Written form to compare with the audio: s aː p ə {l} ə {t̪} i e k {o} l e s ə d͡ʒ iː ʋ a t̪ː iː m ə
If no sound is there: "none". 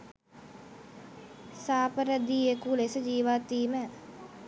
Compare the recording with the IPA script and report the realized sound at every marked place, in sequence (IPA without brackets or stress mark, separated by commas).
ɾ, d̪, u